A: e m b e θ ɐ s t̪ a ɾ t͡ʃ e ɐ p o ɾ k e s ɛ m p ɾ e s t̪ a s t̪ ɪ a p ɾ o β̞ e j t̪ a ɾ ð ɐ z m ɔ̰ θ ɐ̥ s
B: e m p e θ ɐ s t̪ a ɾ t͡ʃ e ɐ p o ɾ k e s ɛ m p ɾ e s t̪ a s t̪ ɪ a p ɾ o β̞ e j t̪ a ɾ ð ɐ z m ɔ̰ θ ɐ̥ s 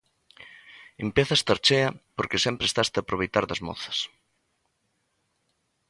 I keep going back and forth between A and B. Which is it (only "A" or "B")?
B